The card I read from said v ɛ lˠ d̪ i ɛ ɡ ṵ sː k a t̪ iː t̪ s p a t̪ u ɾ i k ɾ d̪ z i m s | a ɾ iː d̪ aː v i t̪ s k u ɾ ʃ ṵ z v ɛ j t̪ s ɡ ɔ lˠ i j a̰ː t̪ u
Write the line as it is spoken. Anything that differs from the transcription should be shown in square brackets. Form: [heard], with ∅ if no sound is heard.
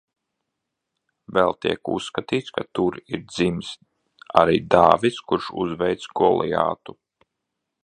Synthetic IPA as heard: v ɛ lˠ [t̪] i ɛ [k] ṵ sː k a t̪ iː t̪ s [k] a t̪ u ɾ i [∅] ɾ d̪ z i m s | a ɾ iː d̪ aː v i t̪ s k u ɾ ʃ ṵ z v ɛ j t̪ s ɡ ɔ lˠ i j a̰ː t̪ u